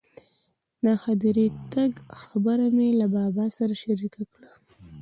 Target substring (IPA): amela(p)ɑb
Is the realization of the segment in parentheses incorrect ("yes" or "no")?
yes